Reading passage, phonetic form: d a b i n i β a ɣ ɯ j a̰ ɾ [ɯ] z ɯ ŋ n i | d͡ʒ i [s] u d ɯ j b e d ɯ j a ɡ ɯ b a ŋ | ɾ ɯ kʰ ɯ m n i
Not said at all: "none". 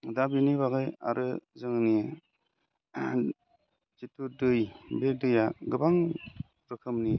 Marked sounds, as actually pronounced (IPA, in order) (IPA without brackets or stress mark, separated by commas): ɯ, t